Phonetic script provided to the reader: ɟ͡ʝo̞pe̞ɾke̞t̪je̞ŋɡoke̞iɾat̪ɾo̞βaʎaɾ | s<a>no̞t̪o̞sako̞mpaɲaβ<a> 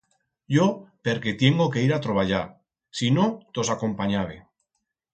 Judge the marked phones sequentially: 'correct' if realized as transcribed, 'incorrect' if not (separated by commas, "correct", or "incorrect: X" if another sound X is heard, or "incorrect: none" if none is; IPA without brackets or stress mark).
incorrect: i, incorrect: e